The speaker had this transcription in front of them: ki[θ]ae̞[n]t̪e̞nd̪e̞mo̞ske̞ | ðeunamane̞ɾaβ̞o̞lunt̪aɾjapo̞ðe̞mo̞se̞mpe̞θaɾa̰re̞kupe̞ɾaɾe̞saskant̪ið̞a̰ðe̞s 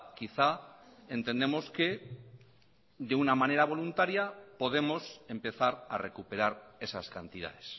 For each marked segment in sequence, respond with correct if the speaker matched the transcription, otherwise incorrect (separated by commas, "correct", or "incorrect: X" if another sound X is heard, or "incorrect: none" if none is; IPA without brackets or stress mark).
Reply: correct, correct